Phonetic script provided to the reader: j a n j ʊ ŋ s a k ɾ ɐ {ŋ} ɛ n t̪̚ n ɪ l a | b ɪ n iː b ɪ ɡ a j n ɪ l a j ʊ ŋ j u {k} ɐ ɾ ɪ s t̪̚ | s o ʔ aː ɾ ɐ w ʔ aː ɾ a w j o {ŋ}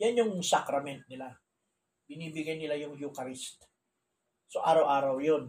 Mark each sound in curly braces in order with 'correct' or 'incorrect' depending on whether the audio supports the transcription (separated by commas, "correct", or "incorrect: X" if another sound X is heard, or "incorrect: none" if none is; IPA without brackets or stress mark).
incorrect: m, correct, incorrect: n